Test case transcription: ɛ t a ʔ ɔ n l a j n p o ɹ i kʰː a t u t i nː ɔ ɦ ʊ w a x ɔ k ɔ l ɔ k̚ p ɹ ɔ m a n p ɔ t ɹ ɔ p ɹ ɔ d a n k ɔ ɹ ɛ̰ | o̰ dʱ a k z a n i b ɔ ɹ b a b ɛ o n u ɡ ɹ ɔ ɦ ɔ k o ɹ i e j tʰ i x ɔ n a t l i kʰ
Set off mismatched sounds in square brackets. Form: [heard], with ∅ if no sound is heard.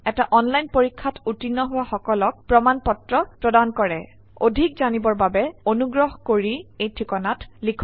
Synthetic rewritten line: ɛ t a ʔ ɔ n l a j n p o ɹ i kʰː a t u t i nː ɔ ɦ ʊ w a x ɔ k ɔ l ɔ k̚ p ɹ ɔ m a n p ɔ t ɹ ɔ p ɹ ɔ d a n k ɔ ɹ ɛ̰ | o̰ dʱ [i] k z a n i b ɔ ɹ b a b ɛ o n u ɡ ɹ ɔ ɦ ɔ k o ɹ i e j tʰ i [k] ɔ n a t l i kʰ